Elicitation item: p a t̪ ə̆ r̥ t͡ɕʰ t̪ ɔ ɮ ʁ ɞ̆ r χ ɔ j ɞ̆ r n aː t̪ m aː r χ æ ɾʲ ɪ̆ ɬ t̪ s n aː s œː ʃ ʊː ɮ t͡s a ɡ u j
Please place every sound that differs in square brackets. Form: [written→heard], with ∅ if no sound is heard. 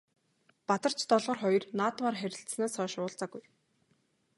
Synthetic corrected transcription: p a t̪ ə̆ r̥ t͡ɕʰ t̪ ɔ ɮ ʁ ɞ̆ r χ ɔ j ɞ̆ r n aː t̪ m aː r χ æ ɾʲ ɪ̆ ɬ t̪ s n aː s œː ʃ ʊː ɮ t͡s a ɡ u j